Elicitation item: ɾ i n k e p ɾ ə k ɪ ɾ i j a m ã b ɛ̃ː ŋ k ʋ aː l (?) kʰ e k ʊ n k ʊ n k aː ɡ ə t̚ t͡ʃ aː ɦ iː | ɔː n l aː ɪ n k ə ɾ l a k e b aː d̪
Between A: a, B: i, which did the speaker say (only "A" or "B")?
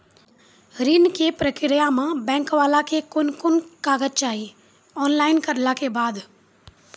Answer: A